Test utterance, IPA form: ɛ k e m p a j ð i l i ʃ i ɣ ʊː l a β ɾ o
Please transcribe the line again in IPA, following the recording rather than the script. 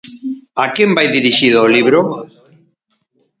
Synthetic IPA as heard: a k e m b a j ð i ɾ i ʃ i ð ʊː l i β ɾ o

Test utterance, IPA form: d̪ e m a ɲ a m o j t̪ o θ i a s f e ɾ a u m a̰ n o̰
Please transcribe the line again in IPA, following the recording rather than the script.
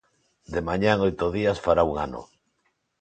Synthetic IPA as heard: d̪ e m a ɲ a ŋ o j t̪ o ð i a s f a ɾ a u ŋ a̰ n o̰

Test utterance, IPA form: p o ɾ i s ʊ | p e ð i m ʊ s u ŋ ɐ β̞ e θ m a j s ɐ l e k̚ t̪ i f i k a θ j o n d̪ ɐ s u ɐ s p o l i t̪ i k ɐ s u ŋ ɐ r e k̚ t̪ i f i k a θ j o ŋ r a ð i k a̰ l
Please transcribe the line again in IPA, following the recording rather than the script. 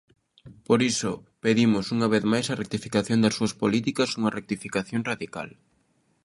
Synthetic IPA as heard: p o ɾ i s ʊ | p e ð i m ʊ s u ŋ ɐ β̞ e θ m a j s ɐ r e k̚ t̪ i f i k a θ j o n d̪ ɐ s u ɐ s p o l i t̪ i k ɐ s u ŋ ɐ r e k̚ t̪ i f i k a θ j o ŋ r a ð i k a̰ l

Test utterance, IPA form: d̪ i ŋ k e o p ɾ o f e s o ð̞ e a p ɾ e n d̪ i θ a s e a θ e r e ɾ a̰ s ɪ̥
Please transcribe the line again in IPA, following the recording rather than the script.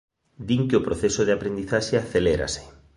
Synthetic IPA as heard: d̪ i ŋ k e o p ɾ o θ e s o ð̞ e a p ɾ e n d̪ i θ a ʃ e a θ e l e ɾ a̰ s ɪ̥

